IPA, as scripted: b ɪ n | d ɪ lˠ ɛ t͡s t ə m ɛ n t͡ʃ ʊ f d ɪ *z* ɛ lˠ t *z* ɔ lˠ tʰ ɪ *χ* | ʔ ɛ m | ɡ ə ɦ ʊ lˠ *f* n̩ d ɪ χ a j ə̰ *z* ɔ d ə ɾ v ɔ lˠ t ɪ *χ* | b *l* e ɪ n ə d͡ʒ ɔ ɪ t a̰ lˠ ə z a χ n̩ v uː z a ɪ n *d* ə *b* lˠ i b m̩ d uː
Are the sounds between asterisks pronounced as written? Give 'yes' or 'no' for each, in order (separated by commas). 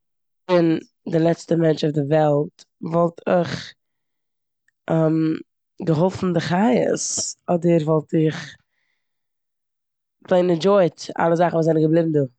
no, no, yes, yes, no, yes, yes, no, yes